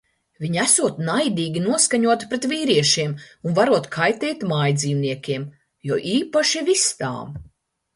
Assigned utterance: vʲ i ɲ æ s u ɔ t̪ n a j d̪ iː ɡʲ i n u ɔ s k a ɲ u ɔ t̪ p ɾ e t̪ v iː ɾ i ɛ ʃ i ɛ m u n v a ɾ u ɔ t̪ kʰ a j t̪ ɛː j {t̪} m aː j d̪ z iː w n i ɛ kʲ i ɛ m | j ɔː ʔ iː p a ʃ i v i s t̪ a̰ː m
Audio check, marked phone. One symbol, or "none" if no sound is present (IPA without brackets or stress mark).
t̪